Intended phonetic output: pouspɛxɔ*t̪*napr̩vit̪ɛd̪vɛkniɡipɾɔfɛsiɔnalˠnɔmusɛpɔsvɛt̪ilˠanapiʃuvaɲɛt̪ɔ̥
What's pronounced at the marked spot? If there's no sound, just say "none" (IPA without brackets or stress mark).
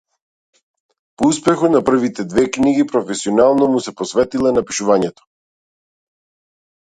t̪